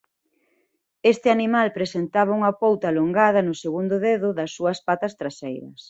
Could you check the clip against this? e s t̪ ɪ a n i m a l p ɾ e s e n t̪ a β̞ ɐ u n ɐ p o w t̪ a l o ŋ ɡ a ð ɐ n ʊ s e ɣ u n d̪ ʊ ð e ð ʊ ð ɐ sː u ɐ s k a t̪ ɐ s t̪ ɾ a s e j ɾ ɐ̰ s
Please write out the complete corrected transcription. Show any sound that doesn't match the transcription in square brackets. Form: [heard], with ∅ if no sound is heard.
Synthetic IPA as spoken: e s t̪ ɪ a n i m a l p ɾ e s e n t̪ a β̞ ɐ u [ŋ] ɐ p o w t̪ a l o ŋ ɡ a ð ɐ n ʊ s e ɣ u n d̪ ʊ ð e ð ʊ ð ɐ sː u ɐ s [p] a t̪ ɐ s t̪ ɾ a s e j ɾ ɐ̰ s